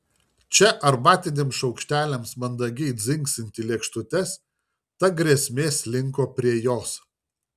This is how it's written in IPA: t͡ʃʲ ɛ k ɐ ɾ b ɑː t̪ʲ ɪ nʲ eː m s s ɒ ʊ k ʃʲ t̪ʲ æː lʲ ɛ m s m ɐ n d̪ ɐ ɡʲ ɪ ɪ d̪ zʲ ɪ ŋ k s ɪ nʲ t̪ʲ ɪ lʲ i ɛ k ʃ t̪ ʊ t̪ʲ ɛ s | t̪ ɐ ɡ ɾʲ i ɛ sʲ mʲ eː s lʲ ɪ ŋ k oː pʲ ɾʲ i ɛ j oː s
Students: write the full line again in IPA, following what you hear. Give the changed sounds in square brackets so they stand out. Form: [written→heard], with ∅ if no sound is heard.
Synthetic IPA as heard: t͡ʃʲ ɛ [k→ʔ] ɐ ɾ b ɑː t̪ʲ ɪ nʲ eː m s [s→ʃ] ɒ ʊ k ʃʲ t̪ʲ æː lʲ ɛ m s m ɐ n d̪ ɐ ɡʲ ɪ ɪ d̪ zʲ ɪ ŋ k s ɪ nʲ t̪ʲ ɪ lʲ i ɛ k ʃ t̪ ʊ t̪ʲ ɛ s | t̪ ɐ ɡ ɾʲ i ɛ sʲ mʲ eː s lʲ ɪ ŋ k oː pʲ ɾʲ i ɛ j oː s